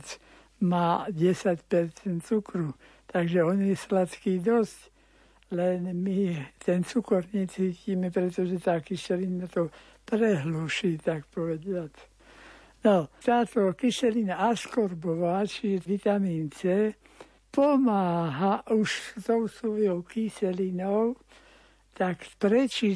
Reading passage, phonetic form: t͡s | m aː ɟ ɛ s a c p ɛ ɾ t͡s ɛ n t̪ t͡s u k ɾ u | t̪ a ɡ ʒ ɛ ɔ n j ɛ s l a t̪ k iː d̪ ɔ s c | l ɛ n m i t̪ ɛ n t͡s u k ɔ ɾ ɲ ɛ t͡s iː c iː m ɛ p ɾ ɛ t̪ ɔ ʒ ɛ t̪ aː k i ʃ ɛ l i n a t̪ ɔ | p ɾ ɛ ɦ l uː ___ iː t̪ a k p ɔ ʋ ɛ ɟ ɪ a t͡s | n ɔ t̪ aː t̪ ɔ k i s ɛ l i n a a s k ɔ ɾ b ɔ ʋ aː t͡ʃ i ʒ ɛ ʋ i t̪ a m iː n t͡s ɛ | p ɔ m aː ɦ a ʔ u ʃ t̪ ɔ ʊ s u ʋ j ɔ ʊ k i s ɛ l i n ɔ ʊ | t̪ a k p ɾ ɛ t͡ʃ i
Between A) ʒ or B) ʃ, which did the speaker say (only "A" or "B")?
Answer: B